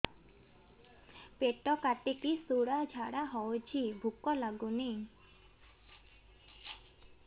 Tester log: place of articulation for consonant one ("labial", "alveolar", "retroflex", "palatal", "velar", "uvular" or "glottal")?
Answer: labial